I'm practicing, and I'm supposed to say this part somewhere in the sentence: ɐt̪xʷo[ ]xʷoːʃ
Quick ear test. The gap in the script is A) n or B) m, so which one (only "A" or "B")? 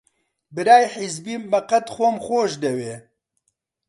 B